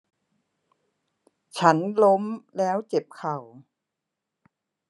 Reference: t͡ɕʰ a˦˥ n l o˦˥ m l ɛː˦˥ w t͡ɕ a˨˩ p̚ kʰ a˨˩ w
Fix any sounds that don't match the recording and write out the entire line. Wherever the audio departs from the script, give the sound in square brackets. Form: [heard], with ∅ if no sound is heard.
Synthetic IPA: t͡ɕʰ a˦˥ n l o˦˥ m l ɛː˦˥ w t͡ɕ [e˨˩] p̚ kʰ a˨˩ w